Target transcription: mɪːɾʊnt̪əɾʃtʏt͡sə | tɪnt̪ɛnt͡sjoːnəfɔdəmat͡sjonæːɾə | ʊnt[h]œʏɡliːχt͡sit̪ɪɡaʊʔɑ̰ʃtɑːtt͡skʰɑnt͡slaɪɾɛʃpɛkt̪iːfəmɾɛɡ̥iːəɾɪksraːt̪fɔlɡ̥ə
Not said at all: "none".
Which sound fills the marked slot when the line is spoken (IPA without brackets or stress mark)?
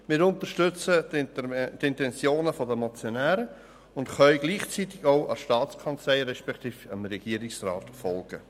χ